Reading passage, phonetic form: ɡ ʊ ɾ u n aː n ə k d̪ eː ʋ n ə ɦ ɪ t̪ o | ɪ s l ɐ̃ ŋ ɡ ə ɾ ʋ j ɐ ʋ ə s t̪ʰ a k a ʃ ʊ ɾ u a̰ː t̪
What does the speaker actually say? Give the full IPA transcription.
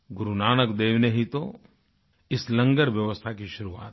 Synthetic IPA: ɡ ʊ ɾ u n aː n ə k d̪ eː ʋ n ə ɦ i t̪ o | ɪ s l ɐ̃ ŋ ɡ ə ɾ ʋ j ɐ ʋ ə s t̪ʰ a k i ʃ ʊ ɾ u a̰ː t̪